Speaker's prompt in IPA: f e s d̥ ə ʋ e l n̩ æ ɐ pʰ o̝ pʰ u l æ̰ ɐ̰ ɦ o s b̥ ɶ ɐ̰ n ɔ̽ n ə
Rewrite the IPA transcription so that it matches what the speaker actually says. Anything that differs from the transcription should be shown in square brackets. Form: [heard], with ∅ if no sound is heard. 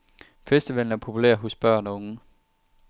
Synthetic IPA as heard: f e s d̥ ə ʋ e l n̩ æ ɐ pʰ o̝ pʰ u l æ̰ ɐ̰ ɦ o s b̥ ɶ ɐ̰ n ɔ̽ [ŋ] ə